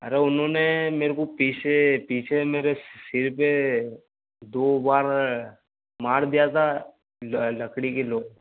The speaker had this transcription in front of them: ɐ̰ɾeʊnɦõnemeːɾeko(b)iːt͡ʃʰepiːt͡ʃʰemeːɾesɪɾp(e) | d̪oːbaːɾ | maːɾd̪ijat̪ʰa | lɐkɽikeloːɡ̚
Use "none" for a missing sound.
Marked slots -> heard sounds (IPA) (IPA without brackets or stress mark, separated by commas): p, e